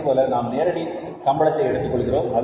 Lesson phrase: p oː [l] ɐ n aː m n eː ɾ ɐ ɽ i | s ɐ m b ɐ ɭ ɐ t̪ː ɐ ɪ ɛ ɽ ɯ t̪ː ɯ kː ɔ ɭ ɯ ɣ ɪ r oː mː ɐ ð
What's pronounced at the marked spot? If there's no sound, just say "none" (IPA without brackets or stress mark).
l